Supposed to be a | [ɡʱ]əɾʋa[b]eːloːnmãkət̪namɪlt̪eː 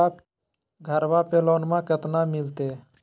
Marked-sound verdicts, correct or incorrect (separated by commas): correct, incorrect